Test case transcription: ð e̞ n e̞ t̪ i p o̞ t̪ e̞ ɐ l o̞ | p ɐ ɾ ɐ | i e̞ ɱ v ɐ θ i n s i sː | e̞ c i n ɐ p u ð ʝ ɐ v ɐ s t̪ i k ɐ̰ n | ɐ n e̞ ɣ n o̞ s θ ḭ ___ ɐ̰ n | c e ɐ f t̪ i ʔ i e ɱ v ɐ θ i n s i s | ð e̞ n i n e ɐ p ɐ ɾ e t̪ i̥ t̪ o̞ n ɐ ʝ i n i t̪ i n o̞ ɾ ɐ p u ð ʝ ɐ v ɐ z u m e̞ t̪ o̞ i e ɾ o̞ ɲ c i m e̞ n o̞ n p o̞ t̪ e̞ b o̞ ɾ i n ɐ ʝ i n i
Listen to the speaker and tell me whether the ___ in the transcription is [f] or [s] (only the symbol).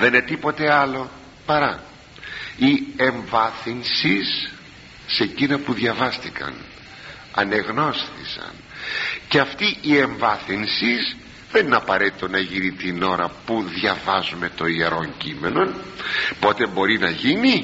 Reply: s